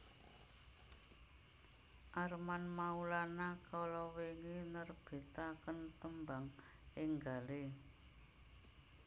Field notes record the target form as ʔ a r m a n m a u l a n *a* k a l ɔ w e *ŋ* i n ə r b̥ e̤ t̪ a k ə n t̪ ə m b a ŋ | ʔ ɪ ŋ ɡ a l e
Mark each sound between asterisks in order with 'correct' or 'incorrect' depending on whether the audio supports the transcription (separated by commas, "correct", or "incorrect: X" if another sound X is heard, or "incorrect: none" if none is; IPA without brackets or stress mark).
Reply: correct, correct